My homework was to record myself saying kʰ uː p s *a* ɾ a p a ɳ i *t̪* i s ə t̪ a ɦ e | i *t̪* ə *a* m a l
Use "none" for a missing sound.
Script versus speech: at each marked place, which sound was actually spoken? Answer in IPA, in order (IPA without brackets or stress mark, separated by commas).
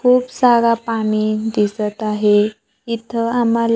a, d̪, t̪ʰ, a